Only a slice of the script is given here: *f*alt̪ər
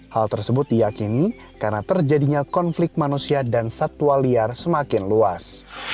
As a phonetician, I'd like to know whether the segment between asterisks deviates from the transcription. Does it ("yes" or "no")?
yes